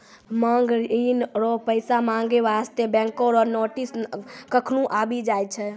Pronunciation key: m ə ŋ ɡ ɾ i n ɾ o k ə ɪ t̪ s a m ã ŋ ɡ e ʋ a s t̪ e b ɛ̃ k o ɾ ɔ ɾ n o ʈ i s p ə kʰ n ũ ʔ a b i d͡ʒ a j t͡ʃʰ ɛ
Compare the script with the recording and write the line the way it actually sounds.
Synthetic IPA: m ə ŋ ɡ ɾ i n ɾ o p ə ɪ s a m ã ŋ ɡ e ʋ a s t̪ e b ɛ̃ k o ɾ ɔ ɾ n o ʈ i s k ə kʰ n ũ ʔ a b i d͡ʒ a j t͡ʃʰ ɛ